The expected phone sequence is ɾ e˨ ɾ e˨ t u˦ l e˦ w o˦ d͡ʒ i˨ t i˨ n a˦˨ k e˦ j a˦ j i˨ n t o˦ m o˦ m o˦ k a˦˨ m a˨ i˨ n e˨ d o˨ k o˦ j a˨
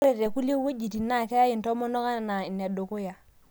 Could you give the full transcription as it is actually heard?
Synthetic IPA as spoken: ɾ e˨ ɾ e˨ k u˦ l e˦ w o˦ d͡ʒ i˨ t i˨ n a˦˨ k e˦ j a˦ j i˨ n t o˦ m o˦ n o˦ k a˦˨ n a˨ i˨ n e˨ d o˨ k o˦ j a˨